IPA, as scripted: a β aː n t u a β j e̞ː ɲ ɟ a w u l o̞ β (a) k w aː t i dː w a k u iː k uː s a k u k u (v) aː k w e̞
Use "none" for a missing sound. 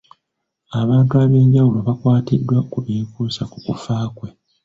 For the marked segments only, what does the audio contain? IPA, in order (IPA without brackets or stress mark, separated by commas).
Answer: a, f